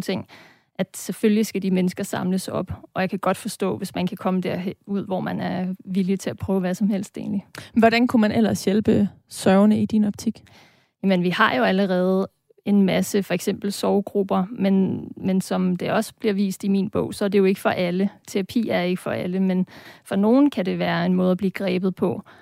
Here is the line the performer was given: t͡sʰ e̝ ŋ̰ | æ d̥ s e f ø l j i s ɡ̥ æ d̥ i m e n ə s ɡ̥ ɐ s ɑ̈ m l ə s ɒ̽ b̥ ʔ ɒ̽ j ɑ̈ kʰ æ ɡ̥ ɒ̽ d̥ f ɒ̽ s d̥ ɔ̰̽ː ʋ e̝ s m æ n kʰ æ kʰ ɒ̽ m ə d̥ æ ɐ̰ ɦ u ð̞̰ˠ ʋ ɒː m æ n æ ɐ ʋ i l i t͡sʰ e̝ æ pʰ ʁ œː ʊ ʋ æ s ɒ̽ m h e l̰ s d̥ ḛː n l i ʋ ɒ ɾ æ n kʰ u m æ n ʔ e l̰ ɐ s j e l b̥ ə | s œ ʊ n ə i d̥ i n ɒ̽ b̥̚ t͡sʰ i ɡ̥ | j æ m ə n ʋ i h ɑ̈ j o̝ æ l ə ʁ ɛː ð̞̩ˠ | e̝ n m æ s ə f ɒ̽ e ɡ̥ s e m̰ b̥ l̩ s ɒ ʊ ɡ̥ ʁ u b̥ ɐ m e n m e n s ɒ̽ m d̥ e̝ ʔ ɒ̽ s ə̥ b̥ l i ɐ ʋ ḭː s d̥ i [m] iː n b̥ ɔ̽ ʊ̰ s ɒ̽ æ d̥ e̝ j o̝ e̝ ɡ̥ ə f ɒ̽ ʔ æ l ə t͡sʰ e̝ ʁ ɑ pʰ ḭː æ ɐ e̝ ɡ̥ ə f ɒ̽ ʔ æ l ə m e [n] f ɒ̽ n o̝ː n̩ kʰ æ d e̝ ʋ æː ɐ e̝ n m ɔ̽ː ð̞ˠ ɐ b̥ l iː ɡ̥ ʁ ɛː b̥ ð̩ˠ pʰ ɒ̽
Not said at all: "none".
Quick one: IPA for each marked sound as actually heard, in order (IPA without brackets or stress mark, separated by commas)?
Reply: m, n